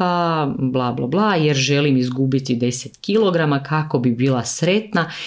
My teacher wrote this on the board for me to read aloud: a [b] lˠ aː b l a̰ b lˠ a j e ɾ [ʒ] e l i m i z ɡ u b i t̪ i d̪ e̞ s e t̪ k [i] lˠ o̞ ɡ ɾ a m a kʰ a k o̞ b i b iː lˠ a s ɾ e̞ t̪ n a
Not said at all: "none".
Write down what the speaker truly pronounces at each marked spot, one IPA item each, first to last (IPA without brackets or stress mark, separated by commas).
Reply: b, ʒ, i